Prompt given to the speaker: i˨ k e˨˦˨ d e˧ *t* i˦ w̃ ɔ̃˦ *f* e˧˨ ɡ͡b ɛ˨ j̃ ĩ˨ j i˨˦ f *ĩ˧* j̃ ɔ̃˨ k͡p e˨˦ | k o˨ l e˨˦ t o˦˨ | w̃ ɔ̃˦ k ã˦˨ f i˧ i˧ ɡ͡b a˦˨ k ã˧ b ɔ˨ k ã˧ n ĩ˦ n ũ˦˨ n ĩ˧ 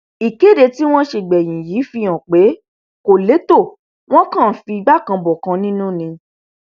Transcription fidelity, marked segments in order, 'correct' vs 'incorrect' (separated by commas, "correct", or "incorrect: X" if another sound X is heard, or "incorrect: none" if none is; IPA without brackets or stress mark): correct, incorrect: ʃ, incorrect: i˧